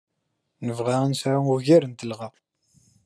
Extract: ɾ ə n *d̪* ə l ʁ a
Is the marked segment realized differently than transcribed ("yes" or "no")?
yes